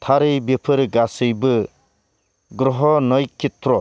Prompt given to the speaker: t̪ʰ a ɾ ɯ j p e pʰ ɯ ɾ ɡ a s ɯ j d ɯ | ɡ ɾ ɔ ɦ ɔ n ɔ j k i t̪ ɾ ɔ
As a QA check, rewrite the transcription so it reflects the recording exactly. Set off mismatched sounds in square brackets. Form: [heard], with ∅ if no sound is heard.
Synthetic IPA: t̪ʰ a ɾ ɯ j [b] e pʰ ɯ ɾ ɡ a s ɯ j [b] ɯ | ɡ ɾ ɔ ɦ ɔ n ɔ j k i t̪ ɾ ɔ